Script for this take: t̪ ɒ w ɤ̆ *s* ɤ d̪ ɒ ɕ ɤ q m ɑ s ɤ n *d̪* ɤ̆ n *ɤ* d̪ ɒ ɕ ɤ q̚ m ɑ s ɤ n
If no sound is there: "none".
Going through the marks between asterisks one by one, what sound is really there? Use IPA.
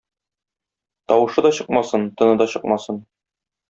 ʃ, t̪, ɤ

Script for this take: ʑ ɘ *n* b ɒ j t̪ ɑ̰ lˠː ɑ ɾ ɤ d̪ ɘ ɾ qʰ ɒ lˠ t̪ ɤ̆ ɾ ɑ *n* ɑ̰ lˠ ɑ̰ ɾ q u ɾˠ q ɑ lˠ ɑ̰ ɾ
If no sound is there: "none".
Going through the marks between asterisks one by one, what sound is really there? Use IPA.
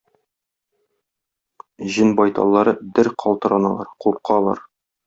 n, n

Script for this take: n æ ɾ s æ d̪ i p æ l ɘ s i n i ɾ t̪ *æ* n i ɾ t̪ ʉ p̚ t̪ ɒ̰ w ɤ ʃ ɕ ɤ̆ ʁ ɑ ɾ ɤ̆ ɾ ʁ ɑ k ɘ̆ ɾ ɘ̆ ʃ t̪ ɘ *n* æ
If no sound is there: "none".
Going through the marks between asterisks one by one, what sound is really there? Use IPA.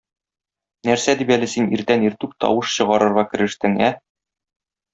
æ, ŋ

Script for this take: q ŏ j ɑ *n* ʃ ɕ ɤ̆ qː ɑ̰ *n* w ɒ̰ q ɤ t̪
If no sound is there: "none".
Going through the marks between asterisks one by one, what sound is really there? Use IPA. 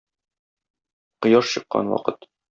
none, n

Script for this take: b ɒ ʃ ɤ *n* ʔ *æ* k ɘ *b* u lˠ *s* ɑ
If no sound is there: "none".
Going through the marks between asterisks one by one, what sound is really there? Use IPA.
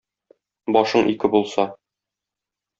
ɴ, i, b, s

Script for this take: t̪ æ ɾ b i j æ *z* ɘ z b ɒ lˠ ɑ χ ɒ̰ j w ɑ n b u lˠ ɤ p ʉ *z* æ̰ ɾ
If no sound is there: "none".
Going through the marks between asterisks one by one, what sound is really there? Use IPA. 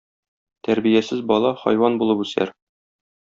s, s

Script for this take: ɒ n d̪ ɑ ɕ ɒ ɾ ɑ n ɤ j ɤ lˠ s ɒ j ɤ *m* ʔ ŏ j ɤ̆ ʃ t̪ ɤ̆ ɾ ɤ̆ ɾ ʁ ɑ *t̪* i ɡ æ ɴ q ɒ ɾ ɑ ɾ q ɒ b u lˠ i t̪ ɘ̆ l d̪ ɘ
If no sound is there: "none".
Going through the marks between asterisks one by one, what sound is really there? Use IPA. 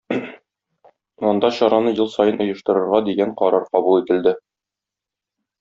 n, d̪

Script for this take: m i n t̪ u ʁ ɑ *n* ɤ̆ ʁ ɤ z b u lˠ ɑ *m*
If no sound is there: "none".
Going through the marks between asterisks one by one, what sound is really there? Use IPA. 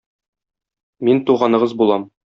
n, m

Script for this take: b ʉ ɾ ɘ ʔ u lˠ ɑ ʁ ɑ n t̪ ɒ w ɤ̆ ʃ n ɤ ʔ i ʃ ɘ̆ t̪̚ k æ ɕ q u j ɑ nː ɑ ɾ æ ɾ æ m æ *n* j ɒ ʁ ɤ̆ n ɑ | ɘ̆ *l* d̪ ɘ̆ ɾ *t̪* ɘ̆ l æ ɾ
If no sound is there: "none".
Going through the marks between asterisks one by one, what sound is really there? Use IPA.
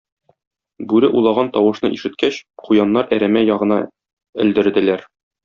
none, l, d̪

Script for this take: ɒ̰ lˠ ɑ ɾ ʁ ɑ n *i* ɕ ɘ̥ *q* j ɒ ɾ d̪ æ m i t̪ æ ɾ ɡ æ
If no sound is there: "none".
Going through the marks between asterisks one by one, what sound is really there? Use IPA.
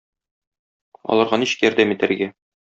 i, k

